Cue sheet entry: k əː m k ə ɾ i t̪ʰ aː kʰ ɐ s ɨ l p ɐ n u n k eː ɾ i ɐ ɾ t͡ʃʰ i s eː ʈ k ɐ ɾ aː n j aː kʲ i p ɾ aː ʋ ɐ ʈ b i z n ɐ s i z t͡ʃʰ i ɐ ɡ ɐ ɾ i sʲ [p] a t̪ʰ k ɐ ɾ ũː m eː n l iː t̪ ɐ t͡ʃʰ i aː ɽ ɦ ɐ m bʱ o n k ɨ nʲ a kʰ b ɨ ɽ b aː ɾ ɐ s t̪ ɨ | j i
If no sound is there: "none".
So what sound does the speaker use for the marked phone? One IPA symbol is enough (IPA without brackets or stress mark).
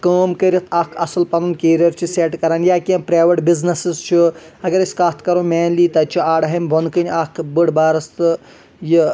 k